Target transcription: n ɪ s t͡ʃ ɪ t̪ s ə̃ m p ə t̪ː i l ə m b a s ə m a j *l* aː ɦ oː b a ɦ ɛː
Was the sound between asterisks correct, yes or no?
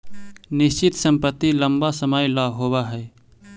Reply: yes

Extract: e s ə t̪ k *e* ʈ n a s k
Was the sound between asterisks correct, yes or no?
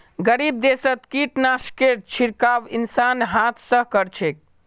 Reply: no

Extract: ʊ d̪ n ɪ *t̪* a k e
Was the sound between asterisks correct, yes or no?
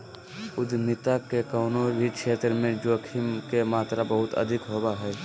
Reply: yes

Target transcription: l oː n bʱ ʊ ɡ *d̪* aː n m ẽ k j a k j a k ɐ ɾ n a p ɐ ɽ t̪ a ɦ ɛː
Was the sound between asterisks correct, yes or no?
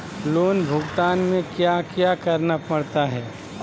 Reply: no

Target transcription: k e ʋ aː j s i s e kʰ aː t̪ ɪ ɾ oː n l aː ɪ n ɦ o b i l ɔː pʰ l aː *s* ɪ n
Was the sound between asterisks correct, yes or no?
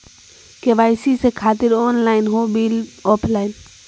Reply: no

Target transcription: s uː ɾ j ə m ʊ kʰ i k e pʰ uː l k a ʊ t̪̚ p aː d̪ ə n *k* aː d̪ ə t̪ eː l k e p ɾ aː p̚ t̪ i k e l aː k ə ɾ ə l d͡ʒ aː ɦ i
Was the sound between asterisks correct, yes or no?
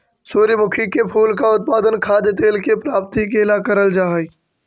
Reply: no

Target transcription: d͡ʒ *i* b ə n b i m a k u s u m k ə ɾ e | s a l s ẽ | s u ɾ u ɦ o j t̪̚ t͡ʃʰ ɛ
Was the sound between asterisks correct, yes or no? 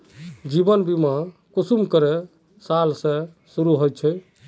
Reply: yes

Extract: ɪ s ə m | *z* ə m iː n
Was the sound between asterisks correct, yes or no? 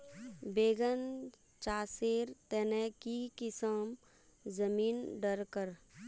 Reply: yes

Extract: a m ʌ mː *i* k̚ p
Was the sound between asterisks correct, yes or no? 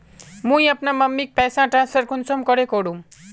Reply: yes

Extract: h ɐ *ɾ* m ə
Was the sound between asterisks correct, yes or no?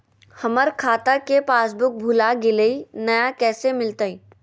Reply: no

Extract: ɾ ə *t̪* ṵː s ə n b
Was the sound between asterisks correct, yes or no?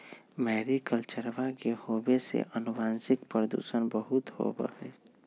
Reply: no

